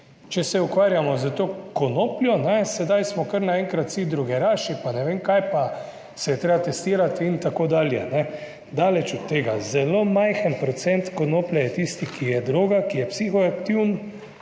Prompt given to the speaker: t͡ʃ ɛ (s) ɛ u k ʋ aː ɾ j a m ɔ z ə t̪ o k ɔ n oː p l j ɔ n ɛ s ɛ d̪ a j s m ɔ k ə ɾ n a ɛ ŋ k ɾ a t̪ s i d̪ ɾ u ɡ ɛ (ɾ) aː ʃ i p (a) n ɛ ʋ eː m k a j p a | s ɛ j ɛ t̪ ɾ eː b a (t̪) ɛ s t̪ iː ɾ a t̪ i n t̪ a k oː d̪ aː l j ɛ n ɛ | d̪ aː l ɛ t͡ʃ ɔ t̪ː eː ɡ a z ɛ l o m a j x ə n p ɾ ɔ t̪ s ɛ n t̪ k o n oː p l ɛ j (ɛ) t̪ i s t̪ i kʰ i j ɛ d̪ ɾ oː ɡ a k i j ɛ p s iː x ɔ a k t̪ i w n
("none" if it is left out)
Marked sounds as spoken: s, ɾ, a, t̪, ɛ

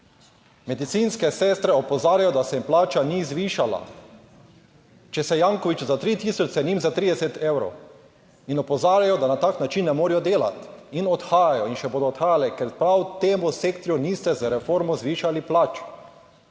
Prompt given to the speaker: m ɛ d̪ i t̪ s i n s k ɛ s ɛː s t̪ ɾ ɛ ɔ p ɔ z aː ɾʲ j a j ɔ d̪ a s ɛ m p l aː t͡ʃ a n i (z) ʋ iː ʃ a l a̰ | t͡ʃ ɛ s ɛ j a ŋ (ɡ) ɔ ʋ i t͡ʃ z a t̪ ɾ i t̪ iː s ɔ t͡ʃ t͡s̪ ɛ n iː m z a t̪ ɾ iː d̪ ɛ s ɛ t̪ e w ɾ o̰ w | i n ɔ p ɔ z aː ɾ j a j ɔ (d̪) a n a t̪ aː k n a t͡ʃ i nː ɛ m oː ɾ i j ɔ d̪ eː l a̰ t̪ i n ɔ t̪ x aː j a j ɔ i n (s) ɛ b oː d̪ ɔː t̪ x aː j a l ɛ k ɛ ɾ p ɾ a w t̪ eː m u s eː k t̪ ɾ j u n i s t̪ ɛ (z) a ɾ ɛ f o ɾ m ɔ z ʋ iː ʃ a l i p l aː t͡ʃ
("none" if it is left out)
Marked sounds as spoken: z, k, d̪, ʃ, z

